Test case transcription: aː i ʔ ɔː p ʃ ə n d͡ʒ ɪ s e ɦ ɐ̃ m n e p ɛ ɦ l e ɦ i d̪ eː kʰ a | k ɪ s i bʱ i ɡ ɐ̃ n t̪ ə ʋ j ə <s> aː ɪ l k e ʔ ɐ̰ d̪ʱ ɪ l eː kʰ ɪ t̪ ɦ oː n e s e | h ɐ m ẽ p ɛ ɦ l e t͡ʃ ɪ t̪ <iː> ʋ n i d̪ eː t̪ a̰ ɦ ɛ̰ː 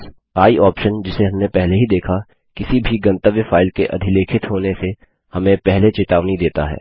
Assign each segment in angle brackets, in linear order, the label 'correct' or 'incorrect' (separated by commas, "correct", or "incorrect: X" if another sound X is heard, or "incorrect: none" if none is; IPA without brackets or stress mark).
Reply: incorrect: f, incorrect: aː